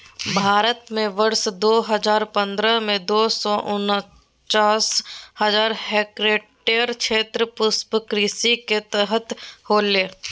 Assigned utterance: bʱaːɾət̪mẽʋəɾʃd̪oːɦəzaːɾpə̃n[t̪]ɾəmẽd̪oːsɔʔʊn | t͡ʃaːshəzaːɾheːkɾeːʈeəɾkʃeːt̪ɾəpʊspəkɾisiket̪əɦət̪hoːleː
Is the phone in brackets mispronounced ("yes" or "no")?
yes